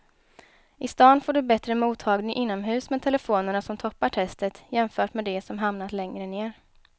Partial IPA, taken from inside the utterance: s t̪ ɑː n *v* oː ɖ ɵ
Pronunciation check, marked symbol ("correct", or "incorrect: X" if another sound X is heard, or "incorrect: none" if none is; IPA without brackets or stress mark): incorrect: f